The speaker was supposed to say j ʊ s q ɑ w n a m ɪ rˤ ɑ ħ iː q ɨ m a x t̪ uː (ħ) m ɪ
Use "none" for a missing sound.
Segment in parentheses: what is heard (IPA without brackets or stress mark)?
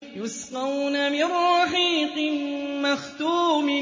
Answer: none